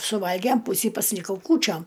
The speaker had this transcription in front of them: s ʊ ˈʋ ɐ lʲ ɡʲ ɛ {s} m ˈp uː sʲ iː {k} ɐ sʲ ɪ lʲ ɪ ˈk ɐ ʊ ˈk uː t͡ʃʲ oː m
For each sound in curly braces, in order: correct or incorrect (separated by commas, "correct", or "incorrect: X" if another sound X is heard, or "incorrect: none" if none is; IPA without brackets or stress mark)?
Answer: incorrect: none, incorrect: p